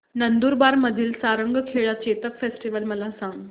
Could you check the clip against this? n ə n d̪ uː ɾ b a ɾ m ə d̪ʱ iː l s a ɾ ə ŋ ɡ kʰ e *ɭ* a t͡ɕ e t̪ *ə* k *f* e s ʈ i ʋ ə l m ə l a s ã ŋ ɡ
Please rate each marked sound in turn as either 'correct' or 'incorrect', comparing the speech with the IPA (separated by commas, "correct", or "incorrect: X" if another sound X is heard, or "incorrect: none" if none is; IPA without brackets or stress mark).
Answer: correct, correct, correct